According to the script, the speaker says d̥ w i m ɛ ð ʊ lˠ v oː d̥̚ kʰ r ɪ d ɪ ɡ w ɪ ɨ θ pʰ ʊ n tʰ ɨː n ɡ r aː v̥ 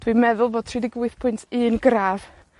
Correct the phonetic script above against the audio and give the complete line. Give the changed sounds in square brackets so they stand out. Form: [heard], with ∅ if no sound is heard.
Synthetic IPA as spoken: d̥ w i m ɛ ð ʊ lˠ v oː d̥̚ [tʰ] r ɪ d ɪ ɡ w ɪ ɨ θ pʰ ʊ n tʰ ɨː n ɡ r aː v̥

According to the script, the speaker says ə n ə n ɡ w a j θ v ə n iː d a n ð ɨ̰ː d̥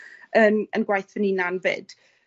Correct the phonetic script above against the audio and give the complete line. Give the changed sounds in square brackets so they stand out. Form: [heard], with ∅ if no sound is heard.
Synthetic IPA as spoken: ə n ə n ɡ w a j θ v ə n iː [n] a n [v] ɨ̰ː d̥

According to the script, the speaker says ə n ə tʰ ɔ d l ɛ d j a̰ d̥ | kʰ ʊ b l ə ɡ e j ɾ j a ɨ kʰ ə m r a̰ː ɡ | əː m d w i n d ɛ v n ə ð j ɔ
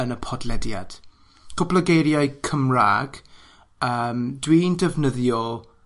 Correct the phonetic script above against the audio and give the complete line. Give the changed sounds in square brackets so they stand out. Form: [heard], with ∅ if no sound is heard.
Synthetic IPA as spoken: ə n ə [pʰ] ɔ d l ɛ d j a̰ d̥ | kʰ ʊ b l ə ɡ e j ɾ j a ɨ kʰ ə m r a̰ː ɡ | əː m d w i n d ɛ v n ə ð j ɔ

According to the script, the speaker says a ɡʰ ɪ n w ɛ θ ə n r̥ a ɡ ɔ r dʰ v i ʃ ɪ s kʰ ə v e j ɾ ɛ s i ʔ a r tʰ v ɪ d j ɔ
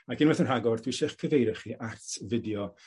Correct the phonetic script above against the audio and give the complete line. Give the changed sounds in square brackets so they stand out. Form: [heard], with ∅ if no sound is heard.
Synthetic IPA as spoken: a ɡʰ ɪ n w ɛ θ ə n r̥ a ɡ ɔ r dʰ [w] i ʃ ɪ [χ] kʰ ə v e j ɾ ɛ [χ] i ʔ a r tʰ v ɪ d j ɔ

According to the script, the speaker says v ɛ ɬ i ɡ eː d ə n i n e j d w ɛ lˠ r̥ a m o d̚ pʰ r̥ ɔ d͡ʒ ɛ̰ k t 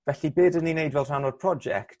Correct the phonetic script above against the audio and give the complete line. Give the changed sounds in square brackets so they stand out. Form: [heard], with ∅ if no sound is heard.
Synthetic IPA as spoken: v ɛ ɬ i [b] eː d ə n i n e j d [v] ɛ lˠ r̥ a [n] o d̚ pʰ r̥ ɔ d͡ʒ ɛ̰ k t

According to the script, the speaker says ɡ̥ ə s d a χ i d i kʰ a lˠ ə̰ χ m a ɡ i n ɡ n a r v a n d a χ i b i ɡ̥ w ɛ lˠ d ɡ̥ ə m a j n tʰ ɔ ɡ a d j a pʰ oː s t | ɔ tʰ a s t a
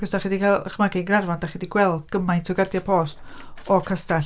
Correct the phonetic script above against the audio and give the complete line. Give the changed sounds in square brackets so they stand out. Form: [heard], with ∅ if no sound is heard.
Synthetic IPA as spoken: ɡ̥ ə s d a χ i d i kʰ a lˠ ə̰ χ m a ɡ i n ɡ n a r v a n d a χ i [d] i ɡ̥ w ɛ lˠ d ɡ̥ ə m a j n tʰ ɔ ɡ a d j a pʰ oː s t | ɔ [kʰ] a s t a

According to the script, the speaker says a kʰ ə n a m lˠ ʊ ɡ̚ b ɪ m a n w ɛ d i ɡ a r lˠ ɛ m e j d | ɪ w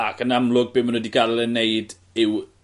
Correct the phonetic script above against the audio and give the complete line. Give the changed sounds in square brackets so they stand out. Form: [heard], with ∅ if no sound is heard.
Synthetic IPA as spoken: a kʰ ə n a m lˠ ʊ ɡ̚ b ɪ m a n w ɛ d i ɡ a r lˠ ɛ [n] e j d | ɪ w

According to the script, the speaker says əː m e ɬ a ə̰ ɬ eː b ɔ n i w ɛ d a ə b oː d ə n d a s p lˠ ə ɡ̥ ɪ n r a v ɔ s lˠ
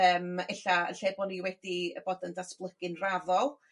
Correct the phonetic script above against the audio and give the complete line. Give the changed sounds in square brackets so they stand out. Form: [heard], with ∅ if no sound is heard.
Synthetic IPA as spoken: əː m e ɬ a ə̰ ɬ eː b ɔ n i w ɛ d [i] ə b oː d ə n d a s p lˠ ə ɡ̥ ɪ n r a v ɔ [∅] lˠ

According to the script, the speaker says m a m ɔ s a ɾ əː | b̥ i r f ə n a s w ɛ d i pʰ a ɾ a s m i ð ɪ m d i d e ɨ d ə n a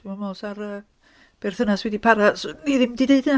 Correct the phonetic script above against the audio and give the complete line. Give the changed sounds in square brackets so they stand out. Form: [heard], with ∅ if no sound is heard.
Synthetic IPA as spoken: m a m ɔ s a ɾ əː | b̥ [ɛ] r [θ] ə n a s w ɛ d i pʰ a ɾ a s [n] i ð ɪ m d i d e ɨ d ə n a

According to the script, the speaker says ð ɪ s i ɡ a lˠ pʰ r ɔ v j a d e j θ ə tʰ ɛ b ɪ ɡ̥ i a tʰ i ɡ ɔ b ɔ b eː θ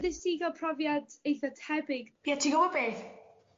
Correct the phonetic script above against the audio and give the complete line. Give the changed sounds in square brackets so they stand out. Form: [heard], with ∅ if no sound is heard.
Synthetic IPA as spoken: ð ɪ s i ɡ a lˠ pʰ r ɔ v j a d e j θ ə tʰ ɛ b ɪ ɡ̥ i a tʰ i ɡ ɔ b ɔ b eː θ

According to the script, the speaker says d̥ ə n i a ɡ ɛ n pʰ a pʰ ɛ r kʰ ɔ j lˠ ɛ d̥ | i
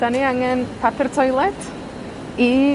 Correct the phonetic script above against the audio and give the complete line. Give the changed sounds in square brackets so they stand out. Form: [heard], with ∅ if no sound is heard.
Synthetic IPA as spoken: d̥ [a] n i a [ŋ] ɛ n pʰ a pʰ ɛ r [tʰ] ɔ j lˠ ɛ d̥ | i

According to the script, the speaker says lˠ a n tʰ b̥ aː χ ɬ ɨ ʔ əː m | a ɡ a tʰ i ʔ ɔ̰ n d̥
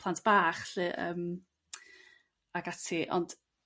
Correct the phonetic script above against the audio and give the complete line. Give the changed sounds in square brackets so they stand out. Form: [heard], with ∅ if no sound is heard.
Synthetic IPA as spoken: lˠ a n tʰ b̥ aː χ ɬ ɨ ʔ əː m | a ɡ a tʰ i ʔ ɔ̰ n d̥

